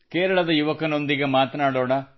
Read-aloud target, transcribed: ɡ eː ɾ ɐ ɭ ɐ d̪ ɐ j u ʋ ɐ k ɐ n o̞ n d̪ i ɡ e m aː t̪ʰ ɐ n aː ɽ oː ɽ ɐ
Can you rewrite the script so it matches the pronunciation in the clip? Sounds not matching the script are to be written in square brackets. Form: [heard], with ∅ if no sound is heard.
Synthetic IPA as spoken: [k] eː ɾ ɐ ɭ ɐ d̪ ɐ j u ʋ ɐ k ɐ n o̞ n d̪ i ɡ e m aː [t̪] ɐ n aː ɽ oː ɽ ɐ